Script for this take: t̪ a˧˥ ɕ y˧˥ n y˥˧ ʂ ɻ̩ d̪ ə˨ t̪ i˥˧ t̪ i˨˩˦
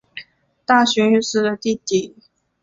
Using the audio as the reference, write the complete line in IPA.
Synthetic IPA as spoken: t̪ a˥˩ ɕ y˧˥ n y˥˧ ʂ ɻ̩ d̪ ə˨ t̪ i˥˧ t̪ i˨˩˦

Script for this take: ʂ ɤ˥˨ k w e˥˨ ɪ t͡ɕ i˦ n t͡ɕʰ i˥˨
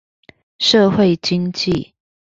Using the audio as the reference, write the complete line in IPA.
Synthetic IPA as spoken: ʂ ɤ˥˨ x w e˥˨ ɪ t͡ɕ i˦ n t͡ɕ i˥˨

